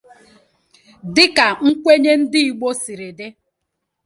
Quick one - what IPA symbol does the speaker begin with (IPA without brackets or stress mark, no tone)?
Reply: d